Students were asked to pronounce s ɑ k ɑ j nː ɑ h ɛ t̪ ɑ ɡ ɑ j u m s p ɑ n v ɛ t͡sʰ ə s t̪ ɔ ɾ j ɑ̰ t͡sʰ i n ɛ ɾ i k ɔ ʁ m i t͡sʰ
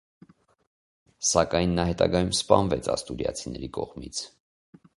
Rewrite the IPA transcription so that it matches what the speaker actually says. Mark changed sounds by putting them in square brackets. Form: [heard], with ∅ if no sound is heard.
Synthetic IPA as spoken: s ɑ k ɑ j nː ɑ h ɛ t̪ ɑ ɡ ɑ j u m s p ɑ n v ɛ t͡sʰ [ɑ] s t̪ [u] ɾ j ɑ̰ t͡sʰ i n ɛ ɾ i k ɔ ʁ m i t͡sʰ